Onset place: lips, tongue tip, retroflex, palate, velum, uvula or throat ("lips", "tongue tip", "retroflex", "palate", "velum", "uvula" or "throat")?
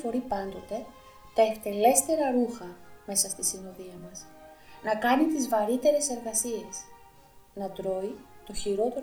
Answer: lips